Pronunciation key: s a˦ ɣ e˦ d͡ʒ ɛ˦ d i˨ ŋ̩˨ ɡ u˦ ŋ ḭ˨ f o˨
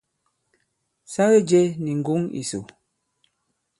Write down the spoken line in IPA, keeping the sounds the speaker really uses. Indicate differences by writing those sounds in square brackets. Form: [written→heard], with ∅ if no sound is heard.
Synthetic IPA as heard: s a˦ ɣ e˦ d͡ʒ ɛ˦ [d→n] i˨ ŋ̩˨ ɡ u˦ ŋ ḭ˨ [f→s] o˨

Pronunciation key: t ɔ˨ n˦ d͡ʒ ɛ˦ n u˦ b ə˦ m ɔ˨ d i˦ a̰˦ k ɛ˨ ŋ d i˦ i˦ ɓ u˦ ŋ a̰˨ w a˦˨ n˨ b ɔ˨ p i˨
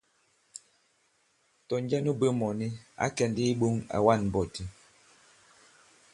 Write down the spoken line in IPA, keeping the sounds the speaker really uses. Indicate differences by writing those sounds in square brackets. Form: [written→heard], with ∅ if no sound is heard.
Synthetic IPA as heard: t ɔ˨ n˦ d͡ʒ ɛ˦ n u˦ b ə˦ m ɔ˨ [d→n] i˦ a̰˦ k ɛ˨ [ŋ→n] d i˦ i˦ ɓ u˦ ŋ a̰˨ w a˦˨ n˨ b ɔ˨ [p→t] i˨

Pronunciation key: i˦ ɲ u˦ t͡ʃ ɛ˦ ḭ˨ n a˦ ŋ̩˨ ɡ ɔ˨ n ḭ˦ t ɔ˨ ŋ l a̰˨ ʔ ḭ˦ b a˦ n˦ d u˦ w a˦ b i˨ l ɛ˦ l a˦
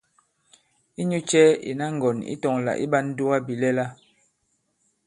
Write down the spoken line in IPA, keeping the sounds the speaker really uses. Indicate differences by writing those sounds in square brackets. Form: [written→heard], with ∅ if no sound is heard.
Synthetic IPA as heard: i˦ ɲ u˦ t͡ʃ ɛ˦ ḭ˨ n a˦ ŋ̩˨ ɡ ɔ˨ n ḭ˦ t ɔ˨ ŋ l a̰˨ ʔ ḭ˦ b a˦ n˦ d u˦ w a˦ b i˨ l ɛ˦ l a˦

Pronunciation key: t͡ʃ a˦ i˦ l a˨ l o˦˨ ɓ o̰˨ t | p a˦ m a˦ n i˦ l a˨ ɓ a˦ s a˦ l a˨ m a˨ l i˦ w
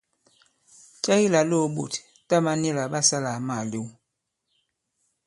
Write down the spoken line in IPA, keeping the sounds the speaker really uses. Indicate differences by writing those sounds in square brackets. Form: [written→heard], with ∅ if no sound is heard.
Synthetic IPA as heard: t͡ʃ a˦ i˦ l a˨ l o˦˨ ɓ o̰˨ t | [p→t] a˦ m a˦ n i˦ l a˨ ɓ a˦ s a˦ l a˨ m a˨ l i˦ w

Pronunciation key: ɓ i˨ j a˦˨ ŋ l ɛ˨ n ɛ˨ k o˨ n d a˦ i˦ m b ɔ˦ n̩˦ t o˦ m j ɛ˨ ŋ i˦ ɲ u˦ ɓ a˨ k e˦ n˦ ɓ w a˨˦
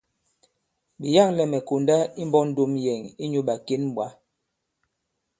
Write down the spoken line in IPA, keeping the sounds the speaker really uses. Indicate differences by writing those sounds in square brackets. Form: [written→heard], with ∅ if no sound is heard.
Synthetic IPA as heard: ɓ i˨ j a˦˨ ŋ l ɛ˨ [n→m] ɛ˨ k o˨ n d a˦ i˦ m b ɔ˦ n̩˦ [t→d] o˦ m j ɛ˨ ŋ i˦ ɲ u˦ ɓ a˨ k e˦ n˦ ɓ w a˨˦

